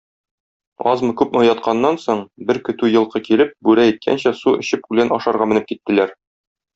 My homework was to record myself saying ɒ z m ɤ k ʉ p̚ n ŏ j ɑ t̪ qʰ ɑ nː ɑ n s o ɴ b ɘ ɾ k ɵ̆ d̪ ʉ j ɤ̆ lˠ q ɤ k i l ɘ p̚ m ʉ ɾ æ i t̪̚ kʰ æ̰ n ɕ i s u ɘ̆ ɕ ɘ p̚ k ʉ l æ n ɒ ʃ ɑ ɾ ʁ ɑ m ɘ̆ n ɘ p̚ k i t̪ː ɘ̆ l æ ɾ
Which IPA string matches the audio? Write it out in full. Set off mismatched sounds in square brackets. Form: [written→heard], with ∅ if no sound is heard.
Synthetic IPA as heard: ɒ z m ɤ k ʉ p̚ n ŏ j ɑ t̪ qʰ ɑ nː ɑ n s o ɴ b ɘ ɾ k ɵ̆ [d̪→t̪] ʉ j ɤ̆ lˠ q ɤ k i l ɘ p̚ [m→b] ʉ ɾ æ i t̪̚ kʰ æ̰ n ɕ [i→æ] s u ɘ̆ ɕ ɘ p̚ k ʉ l æ n ɒ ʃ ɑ ɾ ʁ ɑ m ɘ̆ n ɘ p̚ k i t̪ː ɘ̆ l æ ɾ